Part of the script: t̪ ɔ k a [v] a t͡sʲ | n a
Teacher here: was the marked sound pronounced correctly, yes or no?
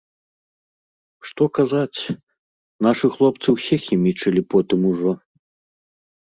no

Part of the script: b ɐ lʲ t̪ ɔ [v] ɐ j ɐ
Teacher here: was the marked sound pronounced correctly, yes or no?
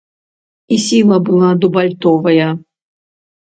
yes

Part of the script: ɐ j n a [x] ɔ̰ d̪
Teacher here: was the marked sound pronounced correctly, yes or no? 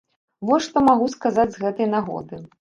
no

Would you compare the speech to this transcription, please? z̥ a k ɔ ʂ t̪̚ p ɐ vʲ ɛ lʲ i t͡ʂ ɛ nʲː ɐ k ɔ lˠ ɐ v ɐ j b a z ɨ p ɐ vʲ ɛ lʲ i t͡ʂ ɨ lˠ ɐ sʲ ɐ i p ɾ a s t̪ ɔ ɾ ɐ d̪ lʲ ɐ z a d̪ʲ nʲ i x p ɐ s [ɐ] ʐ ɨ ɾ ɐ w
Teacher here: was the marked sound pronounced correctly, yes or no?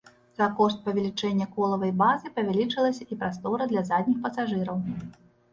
no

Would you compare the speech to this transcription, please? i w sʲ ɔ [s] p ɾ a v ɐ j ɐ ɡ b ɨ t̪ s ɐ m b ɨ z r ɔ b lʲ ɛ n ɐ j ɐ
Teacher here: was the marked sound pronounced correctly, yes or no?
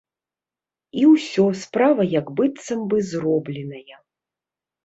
yes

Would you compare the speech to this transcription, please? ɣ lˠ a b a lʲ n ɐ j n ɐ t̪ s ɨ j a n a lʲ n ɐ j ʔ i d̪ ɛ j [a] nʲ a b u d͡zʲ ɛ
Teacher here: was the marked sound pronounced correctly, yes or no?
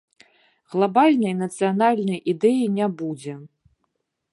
no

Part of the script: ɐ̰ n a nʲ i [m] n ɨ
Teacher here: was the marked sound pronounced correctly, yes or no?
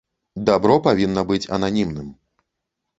yes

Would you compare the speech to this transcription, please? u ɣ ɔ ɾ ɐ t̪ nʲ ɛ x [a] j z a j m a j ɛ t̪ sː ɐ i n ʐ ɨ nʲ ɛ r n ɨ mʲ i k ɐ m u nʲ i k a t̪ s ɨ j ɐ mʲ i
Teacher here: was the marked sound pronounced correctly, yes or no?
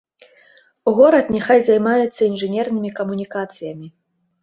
yes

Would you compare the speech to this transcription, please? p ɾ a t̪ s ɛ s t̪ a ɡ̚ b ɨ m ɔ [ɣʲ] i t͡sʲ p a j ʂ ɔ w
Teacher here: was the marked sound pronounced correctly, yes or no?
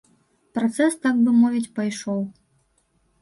no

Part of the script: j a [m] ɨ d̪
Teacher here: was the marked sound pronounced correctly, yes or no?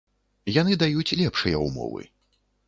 no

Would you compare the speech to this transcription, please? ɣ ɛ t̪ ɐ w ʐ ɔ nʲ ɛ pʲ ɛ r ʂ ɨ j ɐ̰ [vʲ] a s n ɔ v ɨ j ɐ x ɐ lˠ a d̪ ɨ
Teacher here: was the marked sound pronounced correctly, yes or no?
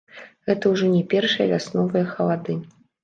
yes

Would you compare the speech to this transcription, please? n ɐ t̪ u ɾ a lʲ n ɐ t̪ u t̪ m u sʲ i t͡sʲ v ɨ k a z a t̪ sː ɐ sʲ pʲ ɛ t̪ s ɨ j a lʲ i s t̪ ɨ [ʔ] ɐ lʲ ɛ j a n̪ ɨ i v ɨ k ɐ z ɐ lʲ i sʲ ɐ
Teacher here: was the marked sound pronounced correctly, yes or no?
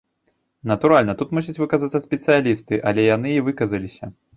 yes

